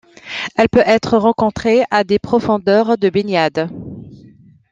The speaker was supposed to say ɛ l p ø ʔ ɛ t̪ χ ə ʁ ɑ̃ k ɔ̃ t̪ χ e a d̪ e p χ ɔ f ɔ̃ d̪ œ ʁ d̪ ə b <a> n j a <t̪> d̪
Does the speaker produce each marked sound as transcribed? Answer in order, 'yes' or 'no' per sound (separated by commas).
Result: no, no